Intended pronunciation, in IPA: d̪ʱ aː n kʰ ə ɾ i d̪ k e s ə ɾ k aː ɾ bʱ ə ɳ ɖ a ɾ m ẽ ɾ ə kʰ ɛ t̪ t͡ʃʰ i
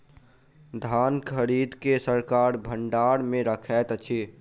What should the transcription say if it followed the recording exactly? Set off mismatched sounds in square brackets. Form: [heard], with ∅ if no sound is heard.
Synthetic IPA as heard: d̪ʱ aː n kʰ ə ɾ i d̪ k e s ə ɾ k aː ɾ bʱ ə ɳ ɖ a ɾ m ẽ ɾ ə kʰ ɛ t̪ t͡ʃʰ i